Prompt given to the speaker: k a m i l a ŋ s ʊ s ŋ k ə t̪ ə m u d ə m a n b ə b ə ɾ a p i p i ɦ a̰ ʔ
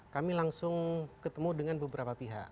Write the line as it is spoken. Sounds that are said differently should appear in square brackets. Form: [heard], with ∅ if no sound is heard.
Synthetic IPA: k a m i l a ŋ s ʊ [∅] ŋ k ə t̪ ə m u d ə [ŋ] a n b ə b ə ɾ a p [a] p i ɦ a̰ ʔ